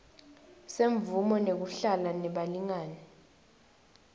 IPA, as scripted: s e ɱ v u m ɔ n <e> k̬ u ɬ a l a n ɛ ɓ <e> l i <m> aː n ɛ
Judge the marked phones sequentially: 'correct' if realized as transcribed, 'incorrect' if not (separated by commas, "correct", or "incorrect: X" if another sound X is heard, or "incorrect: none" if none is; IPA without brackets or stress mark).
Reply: correct, incorrect: a, incorrect: ŋ